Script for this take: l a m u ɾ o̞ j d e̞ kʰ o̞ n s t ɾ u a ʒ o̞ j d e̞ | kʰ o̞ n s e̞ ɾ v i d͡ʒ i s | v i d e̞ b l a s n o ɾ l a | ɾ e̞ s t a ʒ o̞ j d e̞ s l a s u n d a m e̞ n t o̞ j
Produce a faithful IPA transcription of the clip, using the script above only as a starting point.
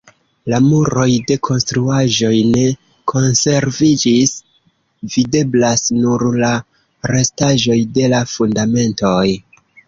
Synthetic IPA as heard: l a m u ɾ o̞ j d e̞ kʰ o̞ n s t ɾ u a ʒ o̞ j n e̞ | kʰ o̞ n s e̞ ɾ v i d͡ʒ i s | v i d e̞ b l a s n u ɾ l a | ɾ e̞ s t a ʒ o̞ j d e̞ l a f u n d a m e̞ n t o̞ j